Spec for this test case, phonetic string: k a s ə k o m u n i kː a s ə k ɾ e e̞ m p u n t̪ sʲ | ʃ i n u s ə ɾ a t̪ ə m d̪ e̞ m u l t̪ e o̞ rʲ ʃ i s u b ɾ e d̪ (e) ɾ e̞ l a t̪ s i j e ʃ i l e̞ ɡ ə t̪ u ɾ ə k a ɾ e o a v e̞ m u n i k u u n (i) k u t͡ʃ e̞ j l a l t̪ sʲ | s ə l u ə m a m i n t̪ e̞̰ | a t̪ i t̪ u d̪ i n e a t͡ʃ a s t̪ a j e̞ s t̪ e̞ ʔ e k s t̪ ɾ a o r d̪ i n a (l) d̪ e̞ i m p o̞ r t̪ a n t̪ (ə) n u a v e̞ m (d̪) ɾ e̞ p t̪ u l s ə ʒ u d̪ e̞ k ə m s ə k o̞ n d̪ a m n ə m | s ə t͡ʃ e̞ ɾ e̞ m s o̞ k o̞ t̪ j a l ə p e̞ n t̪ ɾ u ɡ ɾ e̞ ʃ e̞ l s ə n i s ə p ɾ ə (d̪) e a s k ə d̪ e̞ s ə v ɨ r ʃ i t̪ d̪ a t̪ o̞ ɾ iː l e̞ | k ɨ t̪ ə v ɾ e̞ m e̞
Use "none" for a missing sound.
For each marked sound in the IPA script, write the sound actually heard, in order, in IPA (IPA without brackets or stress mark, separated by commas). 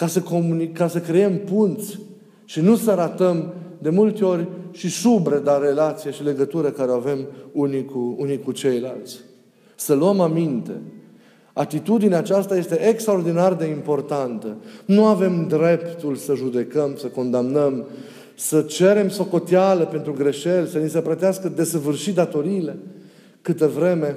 a, i, r, ə, d̪, t̪